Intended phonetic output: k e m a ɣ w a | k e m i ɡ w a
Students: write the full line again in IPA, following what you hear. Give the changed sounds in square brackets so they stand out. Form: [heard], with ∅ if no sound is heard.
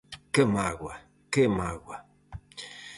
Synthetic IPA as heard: k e m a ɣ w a | k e m [a] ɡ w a